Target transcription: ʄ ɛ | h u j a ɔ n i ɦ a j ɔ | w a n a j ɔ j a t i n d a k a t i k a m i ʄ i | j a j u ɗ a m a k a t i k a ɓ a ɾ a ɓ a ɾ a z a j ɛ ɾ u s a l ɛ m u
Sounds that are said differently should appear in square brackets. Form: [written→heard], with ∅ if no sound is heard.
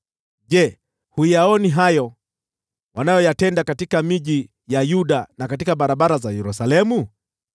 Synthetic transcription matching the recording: ʄ ɛ | h u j a ɔ n i ɦ a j ɔ | w a n a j ɔ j a t [i→ɛ] n d a k a t i k a m i ʄ i | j a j u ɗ a [m→n] a k a t i k a ɓ a ɾ a ɓ a ɾ a z a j ɛ ɾ u s a l ɛ m u